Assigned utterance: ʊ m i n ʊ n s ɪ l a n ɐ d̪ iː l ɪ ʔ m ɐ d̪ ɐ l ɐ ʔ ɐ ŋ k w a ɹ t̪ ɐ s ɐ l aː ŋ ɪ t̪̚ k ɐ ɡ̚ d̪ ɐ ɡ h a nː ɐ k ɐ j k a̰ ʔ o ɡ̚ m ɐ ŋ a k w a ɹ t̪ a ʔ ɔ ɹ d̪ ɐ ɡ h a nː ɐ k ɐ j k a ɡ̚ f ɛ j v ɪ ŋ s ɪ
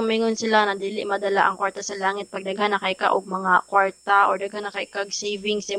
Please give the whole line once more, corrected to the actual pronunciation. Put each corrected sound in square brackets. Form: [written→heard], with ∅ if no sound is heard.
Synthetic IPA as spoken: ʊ m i [n→ŋ] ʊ n s ɪ l a n ɐ d̪ iː l ɪ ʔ m ɐ d̪ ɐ l [ɐ→a] ʔ ɐ ŋ k w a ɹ t̪ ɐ s ɐ l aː ŋ ɪ t̪̚ [k→p] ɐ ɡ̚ d̪ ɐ ɡ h a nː ɐ k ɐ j k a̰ ʔ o ɡ̚ m ɐ ŋ a k w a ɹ t̪ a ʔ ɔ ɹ d̪ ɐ ɡ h a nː ɐ k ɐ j k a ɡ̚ [f→s] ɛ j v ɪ ŋ s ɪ